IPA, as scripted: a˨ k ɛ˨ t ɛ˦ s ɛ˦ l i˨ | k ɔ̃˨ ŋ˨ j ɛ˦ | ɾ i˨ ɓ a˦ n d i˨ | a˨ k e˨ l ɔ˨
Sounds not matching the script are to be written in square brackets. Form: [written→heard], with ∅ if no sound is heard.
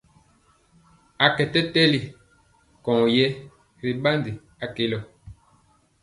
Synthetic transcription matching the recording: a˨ k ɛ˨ t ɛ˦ [s→t] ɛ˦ l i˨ | k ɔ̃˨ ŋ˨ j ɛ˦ | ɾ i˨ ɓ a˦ n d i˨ | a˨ k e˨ l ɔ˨